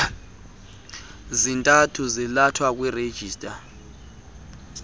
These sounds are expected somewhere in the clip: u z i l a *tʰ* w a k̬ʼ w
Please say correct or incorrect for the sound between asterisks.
correct